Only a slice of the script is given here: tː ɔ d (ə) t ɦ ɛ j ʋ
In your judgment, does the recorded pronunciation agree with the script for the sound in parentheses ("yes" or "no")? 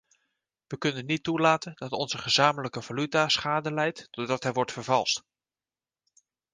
no